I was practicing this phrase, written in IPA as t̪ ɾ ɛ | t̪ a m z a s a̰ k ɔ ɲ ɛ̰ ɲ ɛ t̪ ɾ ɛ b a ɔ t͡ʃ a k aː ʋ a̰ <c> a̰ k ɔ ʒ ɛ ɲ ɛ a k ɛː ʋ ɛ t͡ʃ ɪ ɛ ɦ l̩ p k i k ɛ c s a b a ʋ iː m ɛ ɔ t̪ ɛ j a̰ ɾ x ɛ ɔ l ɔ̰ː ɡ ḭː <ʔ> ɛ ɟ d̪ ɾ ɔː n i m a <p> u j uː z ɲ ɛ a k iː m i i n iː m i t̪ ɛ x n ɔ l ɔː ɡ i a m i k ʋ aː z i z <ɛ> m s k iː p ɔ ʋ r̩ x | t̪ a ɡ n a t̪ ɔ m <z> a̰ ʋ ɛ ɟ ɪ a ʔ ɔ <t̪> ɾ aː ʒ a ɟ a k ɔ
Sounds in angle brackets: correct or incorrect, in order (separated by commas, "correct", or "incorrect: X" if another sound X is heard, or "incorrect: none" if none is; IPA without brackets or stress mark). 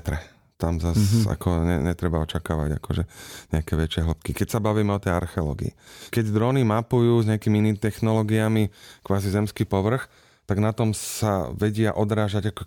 incorrect: ɟ, incorrect: k, correct, correct, incorrect: s, incorrect: d̪